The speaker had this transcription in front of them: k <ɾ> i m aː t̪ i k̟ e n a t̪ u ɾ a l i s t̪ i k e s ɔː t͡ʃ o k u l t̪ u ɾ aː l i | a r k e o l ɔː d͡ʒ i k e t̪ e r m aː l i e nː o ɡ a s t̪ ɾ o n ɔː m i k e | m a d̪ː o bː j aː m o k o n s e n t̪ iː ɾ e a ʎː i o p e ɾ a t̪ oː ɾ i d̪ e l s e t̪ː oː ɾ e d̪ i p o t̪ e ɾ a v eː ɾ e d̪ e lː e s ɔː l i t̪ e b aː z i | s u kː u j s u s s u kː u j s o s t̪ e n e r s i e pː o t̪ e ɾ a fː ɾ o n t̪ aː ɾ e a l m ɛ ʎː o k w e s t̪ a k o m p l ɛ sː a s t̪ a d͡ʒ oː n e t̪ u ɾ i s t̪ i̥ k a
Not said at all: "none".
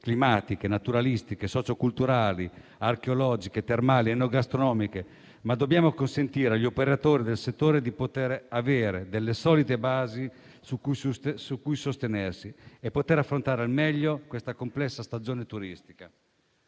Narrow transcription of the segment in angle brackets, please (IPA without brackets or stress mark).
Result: l